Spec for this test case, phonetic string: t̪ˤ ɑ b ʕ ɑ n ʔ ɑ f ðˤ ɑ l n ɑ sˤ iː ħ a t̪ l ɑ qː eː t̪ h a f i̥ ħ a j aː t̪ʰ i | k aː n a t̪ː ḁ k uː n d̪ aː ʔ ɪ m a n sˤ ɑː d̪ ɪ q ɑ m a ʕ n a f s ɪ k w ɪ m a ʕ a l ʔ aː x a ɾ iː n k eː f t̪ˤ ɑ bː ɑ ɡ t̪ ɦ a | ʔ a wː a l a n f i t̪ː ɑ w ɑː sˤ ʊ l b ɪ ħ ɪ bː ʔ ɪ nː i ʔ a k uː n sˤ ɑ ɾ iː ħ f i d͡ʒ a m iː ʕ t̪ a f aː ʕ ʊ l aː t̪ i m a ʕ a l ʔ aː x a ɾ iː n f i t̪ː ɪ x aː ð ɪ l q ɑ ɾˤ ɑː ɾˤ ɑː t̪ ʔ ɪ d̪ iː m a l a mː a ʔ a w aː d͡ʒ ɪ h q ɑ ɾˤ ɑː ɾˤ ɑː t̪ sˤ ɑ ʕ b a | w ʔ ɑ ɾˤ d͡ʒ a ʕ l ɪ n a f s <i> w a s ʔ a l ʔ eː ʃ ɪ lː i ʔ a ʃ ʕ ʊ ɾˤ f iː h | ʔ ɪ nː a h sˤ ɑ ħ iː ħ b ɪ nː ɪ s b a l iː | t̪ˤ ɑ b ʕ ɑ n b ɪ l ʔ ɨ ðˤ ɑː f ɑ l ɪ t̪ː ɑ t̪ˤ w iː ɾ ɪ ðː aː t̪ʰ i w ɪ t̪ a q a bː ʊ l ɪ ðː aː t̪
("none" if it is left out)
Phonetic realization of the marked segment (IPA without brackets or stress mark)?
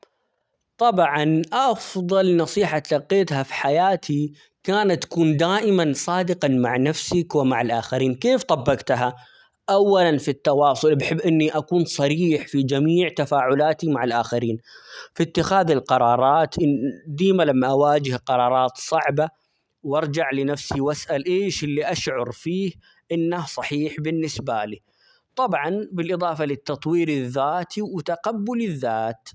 i